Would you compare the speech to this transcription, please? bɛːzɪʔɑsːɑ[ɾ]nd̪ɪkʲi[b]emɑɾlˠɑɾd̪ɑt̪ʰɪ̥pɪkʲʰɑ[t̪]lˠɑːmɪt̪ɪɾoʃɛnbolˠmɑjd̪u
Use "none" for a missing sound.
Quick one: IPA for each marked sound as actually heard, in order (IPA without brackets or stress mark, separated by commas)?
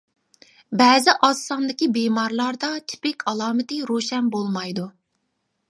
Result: none, b, none